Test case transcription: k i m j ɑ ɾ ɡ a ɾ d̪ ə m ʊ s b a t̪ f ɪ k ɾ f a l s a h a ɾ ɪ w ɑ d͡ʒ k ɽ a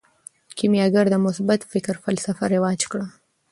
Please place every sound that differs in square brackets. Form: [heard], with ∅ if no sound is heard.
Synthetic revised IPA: k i m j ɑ [∅] ɡ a ɾ d̪ ə m ʊ s b a t̪ f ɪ k ɾ f a l s a [f] a ɾ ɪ w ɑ d͡ʒ k ɽ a